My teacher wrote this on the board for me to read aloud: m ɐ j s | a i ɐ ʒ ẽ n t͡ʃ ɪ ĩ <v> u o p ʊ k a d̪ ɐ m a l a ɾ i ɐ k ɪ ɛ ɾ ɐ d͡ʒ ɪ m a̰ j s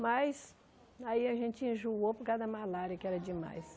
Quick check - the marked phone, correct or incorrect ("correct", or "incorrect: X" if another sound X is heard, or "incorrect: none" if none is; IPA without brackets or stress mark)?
incorrect: ʒ